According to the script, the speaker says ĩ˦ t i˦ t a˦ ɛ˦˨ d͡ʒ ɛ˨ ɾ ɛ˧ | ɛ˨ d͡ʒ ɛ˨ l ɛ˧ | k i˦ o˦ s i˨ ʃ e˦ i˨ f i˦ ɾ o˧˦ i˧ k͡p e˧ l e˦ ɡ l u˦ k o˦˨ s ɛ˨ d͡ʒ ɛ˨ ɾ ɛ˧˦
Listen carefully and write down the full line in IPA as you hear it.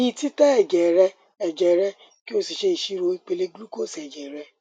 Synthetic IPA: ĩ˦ t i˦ t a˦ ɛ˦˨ d͡ʒ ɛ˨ ɾ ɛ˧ | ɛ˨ d͡ʒ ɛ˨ ɾ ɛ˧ | k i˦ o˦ s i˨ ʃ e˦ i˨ ʃ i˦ ɾ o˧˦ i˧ k͡p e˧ l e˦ ɡ l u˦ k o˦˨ s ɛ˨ d͡ʒ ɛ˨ ɾ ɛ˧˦